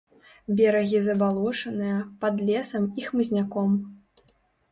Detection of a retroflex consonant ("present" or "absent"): present